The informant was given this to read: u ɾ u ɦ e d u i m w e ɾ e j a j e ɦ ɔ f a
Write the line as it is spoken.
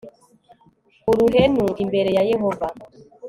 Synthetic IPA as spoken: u ɾ u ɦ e n u i m b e ɾ e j a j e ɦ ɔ v a